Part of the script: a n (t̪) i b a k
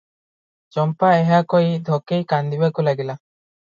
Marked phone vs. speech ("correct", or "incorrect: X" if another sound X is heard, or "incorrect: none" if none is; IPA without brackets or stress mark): incorrect: d̪